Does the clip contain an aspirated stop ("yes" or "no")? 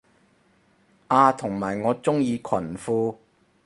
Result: yes